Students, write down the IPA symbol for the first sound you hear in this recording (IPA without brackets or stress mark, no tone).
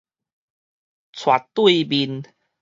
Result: t͡sʰ